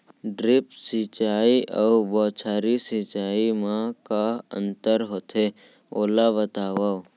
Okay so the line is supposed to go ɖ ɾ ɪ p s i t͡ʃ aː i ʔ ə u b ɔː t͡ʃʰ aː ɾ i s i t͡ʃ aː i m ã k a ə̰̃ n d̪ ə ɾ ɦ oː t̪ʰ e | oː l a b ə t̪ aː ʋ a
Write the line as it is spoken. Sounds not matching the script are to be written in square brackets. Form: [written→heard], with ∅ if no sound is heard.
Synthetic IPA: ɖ ɾ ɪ p s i t͡ʃ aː i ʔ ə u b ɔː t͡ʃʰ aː ɾ i s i t͡ʃ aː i m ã k a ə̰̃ n [d̪→t̪] ə ɾ ɦ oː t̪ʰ e | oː l a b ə t̪ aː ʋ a